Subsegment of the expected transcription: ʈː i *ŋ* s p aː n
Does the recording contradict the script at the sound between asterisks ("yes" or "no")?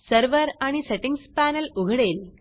no